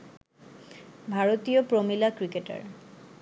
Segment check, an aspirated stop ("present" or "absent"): absent